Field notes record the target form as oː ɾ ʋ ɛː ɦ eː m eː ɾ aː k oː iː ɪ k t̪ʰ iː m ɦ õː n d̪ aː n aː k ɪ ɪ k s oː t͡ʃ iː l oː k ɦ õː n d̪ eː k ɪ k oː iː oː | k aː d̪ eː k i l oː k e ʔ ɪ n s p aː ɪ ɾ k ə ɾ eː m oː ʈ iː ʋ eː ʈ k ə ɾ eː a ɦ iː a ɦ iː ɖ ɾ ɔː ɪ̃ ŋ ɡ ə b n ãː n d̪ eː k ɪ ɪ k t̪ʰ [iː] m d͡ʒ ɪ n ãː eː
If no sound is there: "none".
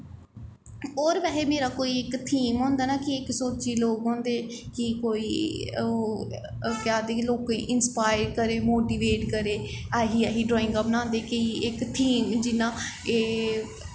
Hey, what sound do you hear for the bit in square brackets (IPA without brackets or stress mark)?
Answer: iː